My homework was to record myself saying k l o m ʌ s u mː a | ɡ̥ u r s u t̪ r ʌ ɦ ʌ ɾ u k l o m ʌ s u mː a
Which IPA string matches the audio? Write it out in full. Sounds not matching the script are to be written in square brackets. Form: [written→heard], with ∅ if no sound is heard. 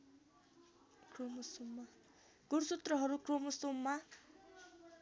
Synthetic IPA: k [l→r] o m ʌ s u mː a | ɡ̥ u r s u t̪ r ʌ ɦ ʌ ɾ u k [l→r] o m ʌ s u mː a

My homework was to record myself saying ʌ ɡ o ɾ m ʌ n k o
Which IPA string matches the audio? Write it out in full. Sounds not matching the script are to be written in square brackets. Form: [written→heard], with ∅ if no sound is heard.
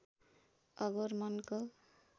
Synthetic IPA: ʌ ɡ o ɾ m ʌ n k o

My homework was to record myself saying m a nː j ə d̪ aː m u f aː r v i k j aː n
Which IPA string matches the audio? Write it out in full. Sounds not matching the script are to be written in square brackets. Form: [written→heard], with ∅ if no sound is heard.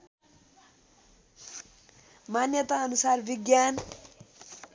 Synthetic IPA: m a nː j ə [d̪→t̪] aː [m→n] u [f→s] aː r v i [k→ɡ] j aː n

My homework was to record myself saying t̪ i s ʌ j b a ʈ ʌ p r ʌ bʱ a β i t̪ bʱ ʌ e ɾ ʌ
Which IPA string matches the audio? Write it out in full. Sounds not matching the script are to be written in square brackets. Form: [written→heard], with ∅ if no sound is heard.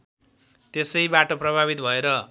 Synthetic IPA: t̪ [i→e] s ʌ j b a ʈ ʌ p r ʌ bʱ a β i t̪ bʱ ʌ e ɾ ʌ

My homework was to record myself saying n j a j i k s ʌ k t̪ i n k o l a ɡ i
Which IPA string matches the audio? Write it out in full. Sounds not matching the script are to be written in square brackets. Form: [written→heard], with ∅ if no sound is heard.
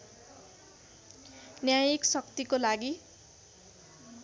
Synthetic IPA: n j a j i k s ʌ k t̪ i [n→∅] k o l a ɡ i

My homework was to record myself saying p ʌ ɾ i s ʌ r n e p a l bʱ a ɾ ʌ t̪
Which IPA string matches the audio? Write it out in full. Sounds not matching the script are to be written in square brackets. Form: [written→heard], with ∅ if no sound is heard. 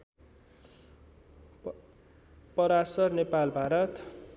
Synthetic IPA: p ʌ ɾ [i→a] s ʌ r n e p a l bʱ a ɾ ʌ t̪

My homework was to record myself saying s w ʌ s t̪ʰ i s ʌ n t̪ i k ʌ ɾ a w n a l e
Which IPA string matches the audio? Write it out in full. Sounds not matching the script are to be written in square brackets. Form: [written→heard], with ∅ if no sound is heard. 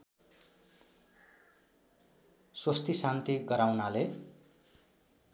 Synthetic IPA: s w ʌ s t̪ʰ i s [ʌ→a] n t̪ i [k→ɡ] ʌ ɾ a w n a l e

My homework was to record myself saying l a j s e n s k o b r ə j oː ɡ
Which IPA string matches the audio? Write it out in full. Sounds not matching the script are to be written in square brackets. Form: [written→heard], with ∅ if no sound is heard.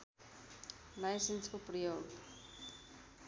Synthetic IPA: l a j s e n s k o [b→p] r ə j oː ɡ

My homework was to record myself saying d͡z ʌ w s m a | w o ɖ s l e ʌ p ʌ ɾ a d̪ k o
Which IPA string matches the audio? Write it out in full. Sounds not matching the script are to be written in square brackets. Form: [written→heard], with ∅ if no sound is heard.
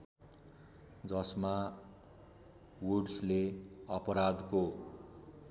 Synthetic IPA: d͡z ʌ [w→∅] s m a | w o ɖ s l e ʌ p ʌ ɾ a d̪ k o

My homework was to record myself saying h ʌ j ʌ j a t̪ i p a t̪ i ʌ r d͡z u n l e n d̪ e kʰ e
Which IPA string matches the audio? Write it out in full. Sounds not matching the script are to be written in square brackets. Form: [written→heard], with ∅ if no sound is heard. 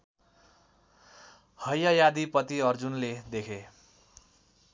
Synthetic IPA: h ʌ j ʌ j a [t̪→d̪] i p [a→ʌ] t̪ i ʌ r d͡z u n l e [n→∅] d̪ e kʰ e

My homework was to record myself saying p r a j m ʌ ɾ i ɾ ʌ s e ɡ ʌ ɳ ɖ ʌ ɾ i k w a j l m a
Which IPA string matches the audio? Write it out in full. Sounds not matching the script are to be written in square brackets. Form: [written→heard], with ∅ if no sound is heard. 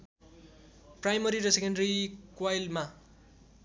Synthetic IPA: p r a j m ʌ ɾ i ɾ ʌ s e [ɡ→k] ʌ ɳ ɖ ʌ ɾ i k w a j l m a

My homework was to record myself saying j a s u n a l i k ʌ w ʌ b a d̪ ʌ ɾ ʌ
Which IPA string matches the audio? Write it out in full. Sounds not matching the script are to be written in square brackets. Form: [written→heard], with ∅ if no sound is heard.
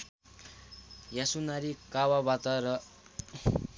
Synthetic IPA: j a s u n a [l→ɾ] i k [ʌ→a] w [ʌ→a] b a [d̪→t̪] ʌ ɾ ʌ

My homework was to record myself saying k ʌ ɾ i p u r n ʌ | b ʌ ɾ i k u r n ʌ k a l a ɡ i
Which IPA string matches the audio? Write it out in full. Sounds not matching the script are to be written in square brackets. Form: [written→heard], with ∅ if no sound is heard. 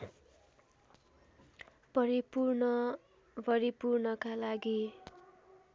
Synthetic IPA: [k→p] ʌ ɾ i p u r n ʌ | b ʌ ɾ i [k→p] u r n ʌ k a l a ɡ i

